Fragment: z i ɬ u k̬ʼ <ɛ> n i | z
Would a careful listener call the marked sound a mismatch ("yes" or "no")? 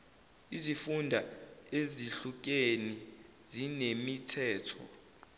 yes